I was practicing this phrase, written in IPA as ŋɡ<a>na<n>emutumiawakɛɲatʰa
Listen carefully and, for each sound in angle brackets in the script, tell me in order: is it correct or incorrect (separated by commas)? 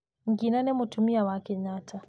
incorrect, correct